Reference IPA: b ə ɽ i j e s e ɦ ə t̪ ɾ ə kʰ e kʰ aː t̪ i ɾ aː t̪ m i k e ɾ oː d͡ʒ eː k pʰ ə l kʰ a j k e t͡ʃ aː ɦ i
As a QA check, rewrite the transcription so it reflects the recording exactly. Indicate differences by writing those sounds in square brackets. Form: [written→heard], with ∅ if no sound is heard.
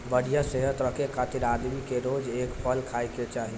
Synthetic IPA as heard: b ə ɽ i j [e→a] s e ɦ ə t̪ ɾ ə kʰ e kʰ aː t̪ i ɾ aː [t̪→d̪] m i k e ɾ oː d͡ʒ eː k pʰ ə l kʰ a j k e t͡ʃ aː ɦ i